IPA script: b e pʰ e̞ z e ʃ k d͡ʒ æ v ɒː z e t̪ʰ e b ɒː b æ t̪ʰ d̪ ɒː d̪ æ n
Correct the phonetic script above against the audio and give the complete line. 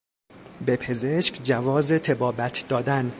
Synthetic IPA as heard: b e pʰ e̞ z e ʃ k d͡ʒ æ v ɒː z e t̪ʰ e b ɒː b æ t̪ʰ d̪ ɒː d̪ æ n